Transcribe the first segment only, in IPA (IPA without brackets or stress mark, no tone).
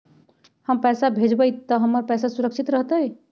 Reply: h